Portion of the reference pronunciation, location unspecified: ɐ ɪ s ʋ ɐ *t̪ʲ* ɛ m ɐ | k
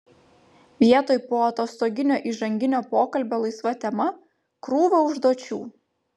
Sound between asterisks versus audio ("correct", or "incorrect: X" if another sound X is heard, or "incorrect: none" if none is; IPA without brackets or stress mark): correct